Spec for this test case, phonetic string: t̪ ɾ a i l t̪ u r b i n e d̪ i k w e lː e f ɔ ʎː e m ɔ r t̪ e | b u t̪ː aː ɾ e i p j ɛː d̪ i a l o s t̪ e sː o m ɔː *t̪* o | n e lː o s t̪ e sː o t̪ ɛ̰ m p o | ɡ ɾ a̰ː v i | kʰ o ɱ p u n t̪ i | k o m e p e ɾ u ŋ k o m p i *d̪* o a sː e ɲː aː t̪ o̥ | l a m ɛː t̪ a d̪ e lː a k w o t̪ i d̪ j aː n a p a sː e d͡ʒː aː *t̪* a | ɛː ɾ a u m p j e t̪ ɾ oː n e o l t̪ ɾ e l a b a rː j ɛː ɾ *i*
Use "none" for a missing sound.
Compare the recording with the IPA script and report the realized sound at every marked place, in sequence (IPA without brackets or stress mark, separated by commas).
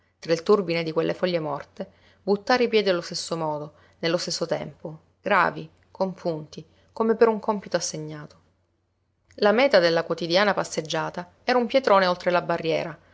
d̪, t̪, t̪, a